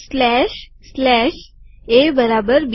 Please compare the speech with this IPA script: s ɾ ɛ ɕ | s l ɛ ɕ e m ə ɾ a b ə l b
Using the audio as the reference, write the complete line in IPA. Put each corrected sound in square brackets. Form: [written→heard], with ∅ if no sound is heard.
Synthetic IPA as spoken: s [ɾ→l] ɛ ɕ | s l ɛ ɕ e [m→b] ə ɾ a b ə [l→ɾ] b